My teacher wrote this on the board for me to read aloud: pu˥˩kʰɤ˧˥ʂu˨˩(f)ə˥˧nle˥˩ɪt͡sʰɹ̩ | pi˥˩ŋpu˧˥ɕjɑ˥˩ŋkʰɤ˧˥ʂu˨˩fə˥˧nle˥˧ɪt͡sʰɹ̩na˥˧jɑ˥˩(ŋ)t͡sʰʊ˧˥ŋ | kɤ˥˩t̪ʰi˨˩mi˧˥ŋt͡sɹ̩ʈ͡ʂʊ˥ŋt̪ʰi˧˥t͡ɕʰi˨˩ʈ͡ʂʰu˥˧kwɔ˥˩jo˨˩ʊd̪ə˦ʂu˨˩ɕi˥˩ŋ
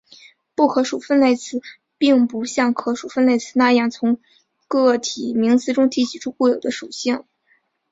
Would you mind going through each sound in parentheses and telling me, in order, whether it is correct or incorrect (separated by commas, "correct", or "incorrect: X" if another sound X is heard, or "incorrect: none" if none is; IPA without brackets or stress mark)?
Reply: correct, correct